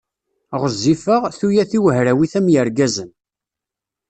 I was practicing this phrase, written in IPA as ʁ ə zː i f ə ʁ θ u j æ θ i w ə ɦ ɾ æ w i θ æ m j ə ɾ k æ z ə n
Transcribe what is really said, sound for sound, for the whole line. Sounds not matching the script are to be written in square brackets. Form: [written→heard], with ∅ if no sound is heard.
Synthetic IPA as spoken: ʁ ə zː i f ə ʁ θ u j æ θ i w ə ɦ ɾ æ w i θ æ m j ə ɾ [k→ɡ] æ z ə n